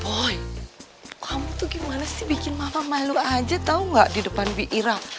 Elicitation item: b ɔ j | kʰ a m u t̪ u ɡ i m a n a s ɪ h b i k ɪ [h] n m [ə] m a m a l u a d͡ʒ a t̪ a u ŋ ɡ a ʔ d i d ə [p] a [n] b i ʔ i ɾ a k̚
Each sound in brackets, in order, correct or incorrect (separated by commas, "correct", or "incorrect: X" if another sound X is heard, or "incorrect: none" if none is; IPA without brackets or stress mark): incorrect: none, incorrect: a, correct, correct